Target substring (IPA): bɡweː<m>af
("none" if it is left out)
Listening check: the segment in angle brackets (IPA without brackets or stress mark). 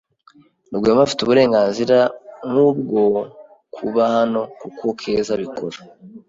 m